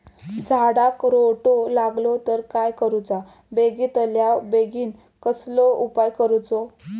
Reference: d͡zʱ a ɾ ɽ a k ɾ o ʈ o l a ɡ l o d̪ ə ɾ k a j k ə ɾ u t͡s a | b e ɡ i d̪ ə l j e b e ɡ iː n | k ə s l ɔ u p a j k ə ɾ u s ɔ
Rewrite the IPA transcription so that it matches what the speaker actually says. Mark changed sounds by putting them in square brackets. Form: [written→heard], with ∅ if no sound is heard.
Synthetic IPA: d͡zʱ a [ɾ→∅] ɽ a k ɾ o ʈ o l a ɡ l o [d̪→t̪] ə ɾ k a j k ə ɾ u t͡s a | b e ɡ i [d̪→t̪] ə l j [e→a] b e ɡ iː n | k ə s l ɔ u p a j k ə ɾ u [s→t͡s] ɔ

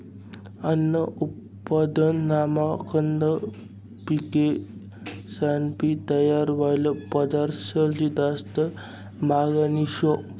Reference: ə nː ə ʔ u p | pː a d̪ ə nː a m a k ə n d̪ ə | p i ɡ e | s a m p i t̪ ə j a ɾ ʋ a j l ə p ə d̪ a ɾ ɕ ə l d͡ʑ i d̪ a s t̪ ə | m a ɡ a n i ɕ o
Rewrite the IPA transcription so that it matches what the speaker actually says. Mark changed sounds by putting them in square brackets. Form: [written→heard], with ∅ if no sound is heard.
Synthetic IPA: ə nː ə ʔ u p | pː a d̪ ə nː a m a k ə n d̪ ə | p i [ɡ→k] e | s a [m→n] p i t̪ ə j a ɾ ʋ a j l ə p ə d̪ a ɾ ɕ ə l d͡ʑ i d̪ a s t̪ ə | m a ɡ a n i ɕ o

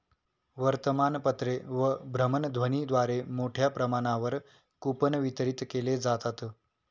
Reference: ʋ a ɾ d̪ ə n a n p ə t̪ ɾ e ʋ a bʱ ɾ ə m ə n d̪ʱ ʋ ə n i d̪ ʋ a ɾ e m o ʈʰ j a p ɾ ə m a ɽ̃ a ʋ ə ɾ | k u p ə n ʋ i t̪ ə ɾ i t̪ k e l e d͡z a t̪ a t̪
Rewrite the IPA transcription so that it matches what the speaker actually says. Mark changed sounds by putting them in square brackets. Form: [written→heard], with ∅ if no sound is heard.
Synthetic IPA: ʋ [a→ə] ɾ [d̪→t̪] ə [n→m] a n p ə t̪ ɾ e ʋ [a→ə] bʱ ɾ ə m ə n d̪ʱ ʋ ə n i d̪ ʋ a ɾ e m o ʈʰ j a p ɾ ə m a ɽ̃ a ʋ ə ɾ | k u p ə n ʋ i t̪ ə ɾ i t̪ k e l e d͡z a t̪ a t̪

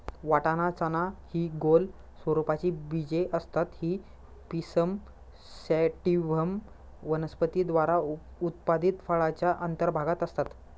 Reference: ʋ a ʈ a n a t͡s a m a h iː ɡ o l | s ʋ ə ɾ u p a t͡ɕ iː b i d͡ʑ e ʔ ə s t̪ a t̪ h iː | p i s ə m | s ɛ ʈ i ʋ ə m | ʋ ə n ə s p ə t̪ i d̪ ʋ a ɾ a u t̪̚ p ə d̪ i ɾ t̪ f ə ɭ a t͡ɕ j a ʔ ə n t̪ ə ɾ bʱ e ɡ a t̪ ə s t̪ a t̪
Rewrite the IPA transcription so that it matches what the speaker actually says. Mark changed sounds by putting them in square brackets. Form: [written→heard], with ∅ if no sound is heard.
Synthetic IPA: ʋ a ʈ a n a t͡s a [m→n] a h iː ɡ o l | s ʋ ə ɾ u p a t͡ɕ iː b i d͡ʑ e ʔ ə s t̪ a t̪ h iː | p i s ə m | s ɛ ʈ i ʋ ə m | ʋ ə n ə s p ə t̪ i d̪ ʋ a ɾ a u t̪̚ p [ə→a] d̪ i [ɾ→∅] t̪ f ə ɭ a t͡ɕ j a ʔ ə n t̪ ə ɾ bʱ [e→a] ɡ a t̪ ə s t̪ a t̪

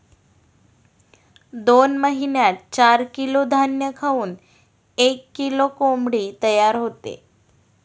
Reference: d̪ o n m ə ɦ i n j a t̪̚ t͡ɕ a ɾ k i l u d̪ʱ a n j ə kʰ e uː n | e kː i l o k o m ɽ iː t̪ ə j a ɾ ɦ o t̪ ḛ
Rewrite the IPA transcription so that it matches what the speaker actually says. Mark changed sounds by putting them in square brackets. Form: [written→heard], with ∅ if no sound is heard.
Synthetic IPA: d̪ o n m ə ɦ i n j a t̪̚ t͡ɕ a ɾ k i l [u→o] d̪ʱ a n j ə kʰ [e→a] uː n | e kː i l o k o m ɽ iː t̪ ə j a ɾ ɦ o t̪ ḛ

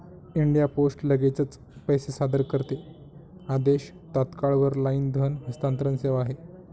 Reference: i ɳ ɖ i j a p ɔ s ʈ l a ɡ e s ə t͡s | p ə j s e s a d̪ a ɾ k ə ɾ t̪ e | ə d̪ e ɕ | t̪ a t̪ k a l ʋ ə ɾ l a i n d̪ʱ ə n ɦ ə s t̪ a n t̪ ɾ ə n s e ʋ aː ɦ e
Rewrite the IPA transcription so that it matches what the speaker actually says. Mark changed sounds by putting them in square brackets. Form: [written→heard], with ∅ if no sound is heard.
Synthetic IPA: i ɳ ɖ i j a p [ɔ→o] s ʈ l [a→ə] ɡ e [s→t͡s] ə t͡s | p ə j s e s a d̪ [a→ə] ɾ k ə ɾ t̪ e | [ə→a] d̪ e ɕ | t̪ a t̪ k a [l→ɭ] ʋ ə ɾ l a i n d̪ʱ ə n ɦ ə s t̪ a n t̪ ɾ ə n s e ʋ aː ɦ e

